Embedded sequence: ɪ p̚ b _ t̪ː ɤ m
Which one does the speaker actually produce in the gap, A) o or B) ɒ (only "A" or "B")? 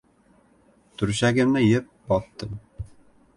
B